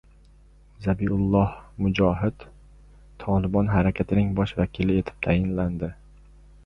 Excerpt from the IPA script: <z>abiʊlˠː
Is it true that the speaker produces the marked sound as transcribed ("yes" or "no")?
yes